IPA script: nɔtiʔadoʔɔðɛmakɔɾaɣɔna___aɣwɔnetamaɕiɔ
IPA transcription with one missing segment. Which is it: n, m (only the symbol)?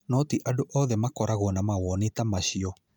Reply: m